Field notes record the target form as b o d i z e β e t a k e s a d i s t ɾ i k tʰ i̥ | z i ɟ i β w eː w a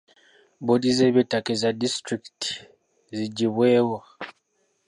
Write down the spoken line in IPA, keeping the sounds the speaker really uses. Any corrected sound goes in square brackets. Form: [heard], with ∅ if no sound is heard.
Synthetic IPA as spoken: b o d i z e β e t a k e [z] a d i s t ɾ i k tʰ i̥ | z i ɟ i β w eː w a